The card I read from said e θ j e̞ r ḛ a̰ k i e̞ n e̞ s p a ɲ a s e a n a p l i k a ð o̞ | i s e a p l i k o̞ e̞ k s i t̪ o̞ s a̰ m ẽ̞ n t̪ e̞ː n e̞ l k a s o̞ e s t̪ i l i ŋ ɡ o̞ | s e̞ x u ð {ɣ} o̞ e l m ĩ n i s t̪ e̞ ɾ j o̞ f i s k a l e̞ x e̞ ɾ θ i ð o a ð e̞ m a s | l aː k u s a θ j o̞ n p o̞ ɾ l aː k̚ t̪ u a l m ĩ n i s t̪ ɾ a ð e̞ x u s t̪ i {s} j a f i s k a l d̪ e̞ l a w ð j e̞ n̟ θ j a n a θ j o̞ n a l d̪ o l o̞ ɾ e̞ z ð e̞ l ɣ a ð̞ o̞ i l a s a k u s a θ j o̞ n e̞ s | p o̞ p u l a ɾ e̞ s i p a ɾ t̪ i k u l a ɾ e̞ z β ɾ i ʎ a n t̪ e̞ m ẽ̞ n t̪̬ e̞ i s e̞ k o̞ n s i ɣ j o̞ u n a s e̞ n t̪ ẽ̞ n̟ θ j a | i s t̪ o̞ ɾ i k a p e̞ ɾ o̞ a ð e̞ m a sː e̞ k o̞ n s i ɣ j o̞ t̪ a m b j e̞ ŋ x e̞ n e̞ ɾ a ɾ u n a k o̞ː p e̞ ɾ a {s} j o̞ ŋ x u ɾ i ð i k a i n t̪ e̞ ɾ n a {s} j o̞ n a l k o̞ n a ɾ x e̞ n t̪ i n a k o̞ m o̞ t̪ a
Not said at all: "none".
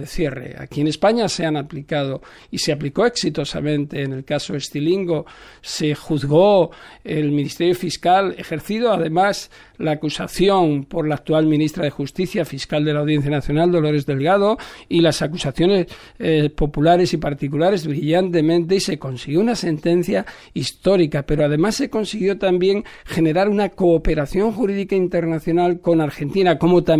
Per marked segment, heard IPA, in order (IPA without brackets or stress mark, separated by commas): ɣ, θ, θ, θ